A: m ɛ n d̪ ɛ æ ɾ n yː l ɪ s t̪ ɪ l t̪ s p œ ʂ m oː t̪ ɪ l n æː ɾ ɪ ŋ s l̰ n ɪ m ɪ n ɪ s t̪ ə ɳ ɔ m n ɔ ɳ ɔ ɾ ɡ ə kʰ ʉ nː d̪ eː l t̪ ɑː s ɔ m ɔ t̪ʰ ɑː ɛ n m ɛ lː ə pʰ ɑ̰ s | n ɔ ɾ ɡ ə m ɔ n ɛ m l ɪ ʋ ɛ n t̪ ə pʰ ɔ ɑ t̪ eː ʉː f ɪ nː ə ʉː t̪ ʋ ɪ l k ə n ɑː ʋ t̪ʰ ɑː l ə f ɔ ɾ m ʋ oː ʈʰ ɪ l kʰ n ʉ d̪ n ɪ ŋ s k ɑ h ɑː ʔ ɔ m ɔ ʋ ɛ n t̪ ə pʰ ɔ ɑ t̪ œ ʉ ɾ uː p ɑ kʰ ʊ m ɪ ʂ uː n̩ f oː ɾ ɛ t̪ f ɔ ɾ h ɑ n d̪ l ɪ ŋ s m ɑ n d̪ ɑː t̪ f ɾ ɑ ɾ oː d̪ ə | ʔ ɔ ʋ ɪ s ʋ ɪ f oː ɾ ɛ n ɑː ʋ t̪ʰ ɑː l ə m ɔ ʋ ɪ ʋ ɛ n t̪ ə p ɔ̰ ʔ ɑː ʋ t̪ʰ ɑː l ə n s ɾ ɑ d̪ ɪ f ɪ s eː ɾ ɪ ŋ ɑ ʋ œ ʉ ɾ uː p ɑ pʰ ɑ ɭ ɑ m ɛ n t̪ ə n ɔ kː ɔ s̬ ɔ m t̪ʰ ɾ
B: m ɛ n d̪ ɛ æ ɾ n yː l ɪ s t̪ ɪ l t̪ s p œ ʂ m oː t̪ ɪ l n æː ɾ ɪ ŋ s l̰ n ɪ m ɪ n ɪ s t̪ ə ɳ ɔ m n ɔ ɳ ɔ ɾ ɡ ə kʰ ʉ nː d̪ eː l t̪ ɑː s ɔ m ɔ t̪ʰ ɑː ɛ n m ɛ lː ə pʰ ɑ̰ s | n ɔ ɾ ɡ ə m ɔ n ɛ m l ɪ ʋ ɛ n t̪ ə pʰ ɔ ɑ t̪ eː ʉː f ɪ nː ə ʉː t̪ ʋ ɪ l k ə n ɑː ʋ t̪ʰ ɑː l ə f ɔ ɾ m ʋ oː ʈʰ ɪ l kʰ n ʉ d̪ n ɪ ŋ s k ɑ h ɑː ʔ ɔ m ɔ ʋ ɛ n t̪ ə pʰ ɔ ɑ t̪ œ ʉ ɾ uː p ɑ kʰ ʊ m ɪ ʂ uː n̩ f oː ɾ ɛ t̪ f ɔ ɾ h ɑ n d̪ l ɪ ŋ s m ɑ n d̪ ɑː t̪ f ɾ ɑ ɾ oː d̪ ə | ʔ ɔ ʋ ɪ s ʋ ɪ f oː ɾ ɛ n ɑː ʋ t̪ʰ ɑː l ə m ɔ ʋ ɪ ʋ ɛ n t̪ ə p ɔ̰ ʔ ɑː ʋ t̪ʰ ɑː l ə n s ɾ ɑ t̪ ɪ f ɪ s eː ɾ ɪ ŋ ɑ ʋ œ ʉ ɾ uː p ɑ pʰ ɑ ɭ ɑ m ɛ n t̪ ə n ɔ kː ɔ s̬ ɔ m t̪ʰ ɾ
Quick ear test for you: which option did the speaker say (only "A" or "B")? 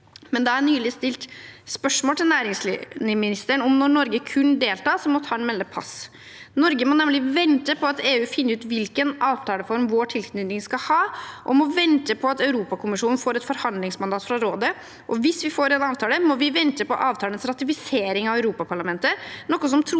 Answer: B